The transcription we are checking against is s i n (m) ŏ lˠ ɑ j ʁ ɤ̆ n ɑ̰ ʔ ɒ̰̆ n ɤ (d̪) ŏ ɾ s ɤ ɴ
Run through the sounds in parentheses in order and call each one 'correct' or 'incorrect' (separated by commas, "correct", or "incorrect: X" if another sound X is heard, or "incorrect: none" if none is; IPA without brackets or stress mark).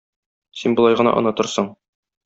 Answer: incorrect: b, incorrect: t̪